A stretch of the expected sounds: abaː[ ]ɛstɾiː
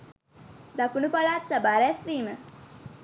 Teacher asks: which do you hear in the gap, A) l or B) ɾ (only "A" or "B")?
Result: B